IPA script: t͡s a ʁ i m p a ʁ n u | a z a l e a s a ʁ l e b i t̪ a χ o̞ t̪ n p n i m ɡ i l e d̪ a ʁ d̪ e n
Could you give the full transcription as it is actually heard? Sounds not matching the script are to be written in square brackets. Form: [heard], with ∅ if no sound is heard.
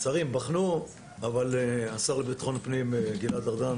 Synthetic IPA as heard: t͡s a ʁ i m [b] a [χ] n u | a [v] a l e a s a ʁ l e b i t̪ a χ o̞ [∅] n p n i m ɡ i l [a] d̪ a ʁ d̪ [a] n